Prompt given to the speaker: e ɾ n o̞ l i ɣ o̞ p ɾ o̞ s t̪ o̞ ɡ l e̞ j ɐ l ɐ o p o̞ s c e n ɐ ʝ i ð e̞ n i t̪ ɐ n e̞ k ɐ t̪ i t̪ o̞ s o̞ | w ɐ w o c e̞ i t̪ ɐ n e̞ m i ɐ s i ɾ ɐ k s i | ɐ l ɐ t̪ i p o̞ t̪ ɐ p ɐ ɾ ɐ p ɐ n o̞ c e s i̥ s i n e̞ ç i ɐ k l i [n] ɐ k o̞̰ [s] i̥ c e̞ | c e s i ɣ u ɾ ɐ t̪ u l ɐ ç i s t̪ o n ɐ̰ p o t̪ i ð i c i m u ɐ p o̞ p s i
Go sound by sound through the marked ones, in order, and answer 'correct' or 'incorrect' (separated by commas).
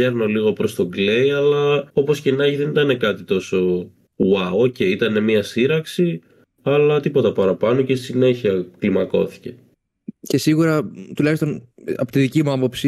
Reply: incorrect, incorrect